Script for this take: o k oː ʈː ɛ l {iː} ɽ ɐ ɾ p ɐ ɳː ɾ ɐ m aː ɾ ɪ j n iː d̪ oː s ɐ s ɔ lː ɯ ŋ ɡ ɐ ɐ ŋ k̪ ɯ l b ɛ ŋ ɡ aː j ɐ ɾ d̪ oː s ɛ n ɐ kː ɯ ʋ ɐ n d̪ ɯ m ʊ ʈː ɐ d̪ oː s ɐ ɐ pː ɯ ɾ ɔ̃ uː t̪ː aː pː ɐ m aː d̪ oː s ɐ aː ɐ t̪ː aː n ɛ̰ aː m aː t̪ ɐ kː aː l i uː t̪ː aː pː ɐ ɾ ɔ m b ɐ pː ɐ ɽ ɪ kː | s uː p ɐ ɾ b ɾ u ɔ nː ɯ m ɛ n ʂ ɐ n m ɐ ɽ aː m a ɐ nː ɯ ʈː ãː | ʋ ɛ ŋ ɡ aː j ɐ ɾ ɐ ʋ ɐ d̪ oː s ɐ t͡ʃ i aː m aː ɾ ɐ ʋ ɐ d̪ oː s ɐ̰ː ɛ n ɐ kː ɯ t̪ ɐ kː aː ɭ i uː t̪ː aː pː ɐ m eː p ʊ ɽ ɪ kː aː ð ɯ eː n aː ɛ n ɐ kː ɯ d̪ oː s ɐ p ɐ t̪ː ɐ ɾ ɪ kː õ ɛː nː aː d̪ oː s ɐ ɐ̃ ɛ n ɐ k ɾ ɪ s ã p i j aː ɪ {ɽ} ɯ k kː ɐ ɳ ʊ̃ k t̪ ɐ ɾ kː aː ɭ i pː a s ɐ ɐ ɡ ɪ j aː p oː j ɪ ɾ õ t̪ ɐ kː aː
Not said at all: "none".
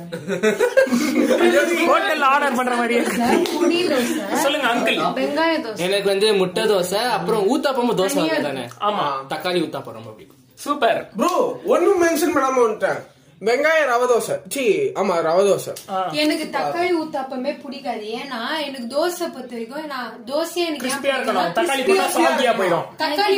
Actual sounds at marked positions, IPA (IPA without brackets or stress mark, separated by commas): aː, ɾ